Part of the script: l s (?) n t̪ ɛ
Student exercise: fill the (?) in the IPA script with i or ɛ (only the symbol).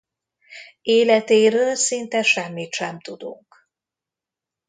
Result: i